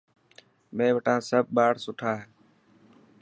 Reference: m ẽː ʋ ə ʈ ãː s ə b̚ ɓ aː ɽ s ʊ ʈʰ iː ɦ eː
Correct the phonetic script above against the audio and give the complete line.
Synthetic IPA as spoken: m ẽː ʋ ə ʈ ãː s ə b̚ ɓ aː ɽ s ʊ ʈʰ aː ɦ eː